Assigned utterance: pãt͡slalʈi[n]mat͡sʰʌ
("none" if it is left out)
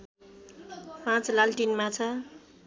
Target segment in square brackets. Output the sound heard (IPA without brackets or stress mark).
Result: n